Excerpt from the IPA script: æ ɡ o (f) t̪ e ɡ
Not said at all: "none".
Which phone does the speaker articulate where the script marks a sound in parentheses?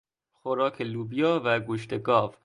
ʃ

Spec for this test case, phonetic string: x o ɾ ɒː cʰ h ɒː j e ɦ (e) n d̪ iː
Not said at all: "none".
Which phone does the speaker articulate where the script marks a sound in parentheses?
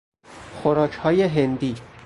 e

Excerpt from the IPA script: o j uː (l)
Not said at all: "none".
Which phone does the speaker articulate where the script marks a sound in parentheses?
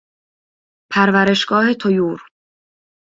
ɾ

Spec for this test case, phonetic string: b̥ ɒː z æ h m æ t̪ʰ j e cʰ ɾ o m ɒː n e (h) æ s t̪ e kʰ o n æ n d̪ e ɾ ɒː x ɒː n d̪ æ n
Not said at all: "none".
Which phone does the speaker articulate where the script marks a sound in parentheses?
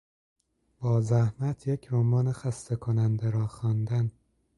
x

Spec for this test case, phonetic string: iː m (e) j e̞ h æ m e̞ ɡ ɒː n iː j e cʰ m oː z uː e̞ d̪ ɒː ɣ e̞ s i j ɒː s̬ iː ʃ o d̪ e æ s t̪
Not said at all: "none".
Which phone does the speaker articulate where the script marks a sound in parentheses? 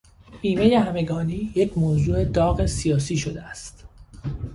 e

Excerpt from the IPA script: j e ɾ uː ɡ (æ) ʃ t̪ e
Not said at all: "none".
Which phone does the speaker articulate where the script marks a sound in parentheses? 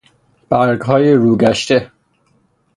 æ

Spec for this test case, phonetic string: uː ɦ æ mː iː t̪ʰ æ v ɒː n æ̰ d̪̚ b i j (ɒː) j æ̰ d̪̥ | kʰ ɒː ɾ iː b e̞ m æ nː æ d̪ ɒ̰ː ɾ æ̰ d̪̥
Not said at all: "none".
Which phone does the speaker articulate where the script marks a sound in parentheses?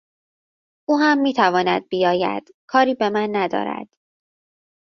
ɒː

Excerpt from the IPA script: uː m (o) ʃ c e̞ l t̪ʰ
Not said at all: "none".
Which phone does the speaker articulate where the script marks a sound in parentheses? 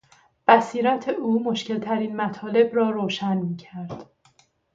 o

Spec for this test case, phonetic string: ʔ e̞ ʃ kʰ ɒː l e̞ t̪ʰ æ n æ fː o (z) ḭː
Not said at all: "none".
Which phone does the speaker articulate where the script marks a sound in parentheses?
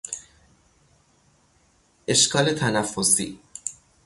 s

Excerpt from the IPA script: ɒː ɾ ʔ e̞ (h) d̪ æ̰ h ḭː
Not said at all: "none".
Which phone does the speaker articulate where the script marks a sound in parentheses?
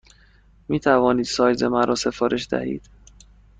ʃ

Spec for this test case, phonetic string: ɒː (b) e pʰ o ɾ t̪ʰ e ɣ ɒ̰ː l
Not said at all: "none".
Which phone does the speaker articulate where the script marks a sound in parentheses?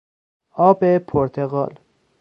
b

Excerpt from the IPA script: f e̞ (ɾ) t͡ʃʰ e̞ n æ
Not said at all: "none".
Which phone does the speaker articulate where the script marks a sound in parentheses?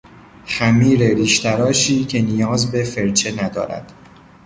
ɾ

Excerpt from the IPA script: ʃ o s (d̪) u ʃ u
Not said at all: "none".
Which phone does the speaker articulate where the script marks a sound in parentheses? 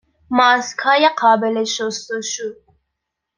t̪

